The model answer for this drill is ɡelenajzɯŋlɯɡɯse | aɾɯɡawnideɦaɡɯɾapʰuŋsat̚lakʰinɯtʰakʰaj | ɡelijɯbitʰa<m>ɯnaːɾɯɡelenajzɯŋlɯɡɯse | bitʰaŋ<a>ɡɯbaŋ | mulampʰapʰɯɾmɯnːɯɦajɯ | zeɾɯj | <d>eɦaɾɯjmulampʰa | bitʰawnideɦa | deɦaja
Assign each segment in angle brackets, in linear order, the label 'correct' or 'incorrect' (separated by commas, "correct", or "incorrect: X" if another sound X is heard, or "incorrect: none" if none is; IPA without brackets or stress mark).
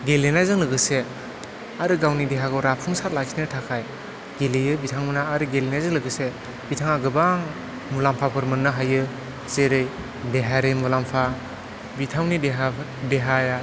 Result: incorrect: ŋ, correct, correct